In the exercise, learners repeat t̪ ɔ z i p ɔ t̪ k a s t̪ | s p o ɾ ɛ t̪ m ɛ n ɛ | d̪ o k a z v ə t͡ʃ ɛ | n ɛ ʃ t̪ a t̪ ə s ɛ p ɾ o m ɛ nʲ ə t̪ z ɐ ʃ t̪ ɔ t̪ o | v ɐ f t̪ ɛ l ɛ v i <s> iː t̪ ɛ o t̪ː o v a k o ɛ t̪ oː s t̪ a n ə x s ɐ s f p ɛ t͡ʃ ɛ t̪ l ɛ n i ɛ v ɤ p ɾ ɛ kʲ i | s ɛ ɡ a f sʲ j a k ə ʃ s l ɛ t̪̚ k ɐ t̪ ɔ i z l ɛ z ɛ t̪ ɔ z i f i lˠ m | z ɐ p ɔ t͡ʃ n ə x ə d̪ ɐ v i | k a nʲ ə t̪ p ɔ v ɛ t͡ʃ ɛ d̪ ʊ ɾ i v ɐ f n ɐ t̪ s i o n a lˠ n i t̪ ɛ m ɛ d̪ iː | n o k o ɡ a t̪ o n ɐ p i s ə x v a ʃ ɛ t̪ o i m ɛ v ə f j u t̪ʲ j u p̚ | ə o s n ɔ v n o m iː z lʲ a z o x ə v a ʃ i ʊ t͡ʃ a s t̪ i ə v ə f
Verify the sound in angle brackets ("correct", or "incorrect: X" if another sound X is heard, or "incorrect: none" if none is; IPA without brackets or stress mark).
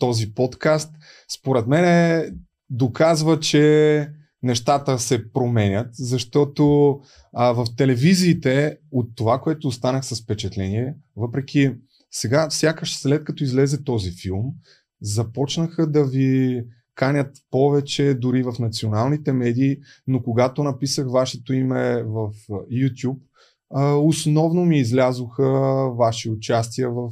incorrect: z